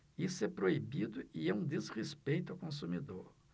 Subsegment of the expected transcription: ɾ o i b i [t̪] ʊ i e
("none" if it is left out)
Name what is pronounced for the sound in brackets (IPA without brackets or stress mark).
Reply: d̪